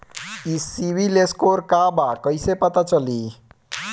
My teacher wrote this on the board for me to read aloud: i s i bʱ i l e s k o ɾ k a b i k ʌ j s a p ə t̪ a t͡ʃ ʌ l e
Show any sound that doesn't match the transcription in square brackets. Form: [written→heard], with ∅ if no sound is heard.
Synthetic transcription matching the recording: i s i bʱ i l e s k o ɾ k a b [i→a] k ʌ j s [a→e] p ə t̪ a t͡ʃ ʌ l [e→i]